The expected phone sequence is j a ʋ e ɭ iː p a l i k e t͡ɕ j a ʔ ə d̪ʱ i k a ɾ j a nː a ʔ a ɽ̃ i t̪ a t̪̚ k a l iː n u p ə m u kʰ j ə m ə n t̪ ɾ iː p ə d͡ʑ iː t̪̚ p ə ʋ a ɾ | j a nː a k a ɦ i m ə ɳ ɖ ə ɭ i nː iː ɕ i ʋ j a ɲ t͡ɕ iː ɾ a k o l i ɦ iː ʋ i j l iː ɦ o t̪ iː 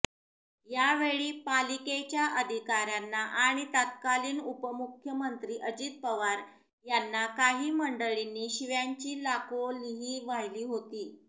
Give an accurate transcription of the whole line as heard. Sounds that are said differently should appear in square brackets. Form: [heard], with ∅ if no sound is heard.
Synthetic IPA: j a ʋ e ɭ iː p a l i k e t͡ɕ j a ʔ ə d̪ʱ i k a ɾ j a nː a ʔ a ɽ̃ i t̪ a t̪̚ k a l iː n u p ə m u kʰ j ə m ə n t̪ ɾ iː [ʔ] ə d͡ʑ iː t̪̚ p ə ʋ a ɾ | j a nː a k a ɦ [iː] m ə ɳ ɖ ə ɭ i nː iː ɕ i ʋ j a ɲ t͡ɕ iː [l] a k o l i ɦ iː ʋ [a] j l iː ɦ o t̪ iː